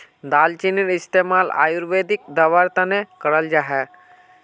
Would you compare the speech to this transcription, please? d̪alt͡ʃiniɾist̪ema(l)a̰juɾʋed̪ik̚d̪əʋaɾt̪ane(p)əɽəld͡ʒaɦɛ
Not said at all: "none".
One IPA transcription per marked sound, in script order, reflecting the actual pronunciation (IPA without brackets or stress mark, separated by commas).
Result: l, k